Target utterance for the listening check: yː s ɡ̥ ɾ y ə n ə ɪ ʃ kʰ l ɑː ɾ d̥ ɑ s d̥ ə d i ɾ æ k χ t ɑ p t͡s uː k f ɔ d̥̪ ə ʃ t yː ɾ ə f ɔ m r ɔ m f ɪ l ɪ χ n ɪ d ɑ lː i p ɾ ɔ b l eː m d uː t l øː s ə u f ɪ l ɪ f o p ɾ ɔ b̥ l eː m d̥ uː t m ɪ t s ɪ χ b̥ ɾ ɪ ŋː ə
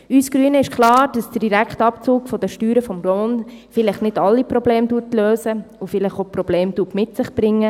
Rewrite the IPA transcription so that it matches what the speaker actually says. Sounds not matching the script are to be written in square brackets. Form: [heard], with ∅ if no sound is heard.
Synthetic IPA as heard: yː s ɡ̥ ɾ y ə n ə ɪ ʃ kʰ l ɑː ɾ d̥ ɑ s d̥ ə d i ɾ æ k χ t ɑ p t͡s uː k f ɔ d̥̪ ə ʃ t yː ɾ ə f ɔ m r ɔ [n] f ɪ l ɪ χ n ɪ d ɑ lː i p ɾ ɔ b l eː m d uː t l øː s ə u f ɪ l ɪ [χ] o p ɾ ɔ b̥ l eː m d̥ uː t m ɪ t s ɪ χ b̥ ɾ ɪ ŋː ə

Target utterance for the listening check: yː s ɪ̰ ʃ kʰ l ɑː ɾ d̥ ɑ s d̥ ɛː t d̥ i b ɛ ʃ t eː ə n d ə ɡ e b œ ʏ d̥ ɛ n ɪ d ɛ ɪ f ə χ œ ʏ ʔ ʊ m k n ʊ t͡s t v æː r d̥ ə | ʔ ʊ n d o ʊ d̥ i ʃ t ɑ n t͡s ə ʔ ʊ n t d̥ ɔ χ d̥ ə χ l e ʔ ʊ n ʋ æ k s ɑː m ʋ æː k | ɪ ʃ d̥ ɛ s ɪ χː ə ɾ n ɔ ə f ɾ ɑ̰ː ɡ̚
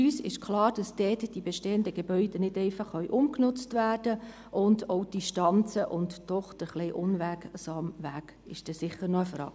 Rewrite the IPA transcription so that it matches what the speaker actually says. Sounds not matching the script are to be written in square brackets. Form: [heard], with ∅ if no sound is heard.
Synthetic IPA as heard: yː s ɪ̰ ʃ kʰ l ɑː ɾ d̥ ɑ s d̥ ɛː t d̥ i b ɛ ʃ t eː ə n d ə ɡ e b œ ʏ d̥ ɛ n ɪ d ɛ ɪ f [ɑ] χ œ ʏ ʔ ʊ m k n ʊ t͡s t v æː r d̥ ə | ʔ ʊ n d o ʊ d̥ i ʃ t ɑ n t͡s ə ʔ ʊ n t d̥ ɔ χ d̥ ə χ l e ʔ ʊ n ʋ æ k s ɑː m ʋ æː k | ɪ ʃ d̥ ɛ s ɪ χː ə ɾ n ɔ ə f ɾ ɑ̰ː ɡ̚

